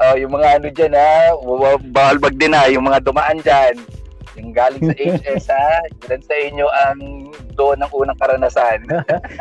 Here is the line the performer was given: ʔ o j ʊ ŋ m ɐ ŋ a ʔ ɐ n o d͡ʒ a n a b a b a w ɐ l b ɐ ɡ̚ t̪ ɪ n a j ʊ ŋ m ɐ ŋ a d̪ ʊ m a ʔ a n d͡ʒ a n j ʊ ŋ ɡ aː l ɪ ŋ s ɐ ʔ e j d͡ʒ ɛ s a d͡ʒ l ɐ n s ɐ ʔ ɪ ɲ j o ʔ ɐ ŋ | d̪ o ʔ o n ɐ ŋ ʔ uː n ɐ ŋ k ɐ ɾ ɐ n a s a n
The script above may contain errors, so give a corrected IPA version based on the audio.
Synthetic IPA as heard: ʔ o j ʊ ŋ m ɐ ŋ a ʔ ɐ n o d͡ʒ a n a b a b a w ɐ l b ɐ ɡ̚ d̪ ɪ n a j ʊ ŋ m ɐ ŋ a d̪ ʊ m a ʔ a n d͡ʒ a n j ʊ ŋ ɡ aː l ɪ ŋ s ɐ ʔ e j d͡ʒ ɛ s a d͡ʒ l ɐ n s ɐ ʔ ɪ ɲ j o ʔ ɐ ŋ | d̪ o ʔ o n ɐ ŋ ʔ uː n ɐ ŋ k ɐ ɾ ɐ n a s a n